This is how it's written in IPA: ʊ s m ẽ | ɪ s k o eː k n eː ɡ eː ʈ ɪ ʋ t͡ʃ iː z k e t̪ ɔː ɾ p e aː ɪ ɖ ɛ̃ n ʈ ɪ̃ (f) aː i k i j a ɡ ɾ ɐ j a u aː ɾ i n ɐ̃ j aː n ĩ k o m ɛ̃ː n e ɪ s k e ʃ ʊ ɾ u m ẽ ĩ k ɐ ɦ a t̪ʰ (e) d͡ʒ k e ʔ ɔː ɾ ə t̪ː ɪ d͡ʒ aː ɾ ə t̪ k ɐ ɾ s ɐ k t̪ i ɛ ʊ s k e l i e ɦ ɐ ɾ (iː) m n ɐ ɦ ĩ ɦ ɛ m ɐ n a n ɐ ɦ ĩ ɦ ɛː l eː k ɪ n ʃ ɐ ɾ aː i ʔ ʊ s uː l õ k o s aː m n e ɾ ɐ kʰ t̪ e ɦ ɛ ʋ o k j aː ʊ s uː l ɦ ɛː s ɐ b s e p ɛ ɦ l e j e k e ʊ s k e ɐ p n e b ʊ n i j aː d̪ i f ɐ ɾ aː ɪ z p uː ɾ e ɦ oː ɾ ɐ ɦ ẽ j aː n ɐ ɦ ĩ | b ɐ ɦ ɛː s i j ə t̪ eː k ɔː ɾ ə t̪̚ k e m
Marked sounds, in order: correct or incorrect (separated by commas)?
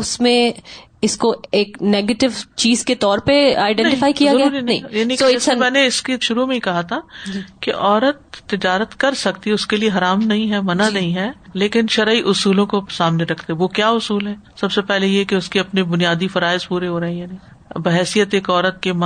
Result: correct, incorrect, incorrect